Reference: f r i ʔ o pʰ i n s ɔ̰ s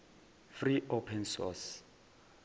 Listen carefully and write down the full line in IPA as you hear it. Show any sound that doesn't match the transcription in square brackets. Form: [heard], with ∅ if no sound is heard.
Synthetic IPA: f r i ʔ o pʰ [ɛ] n s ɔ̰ s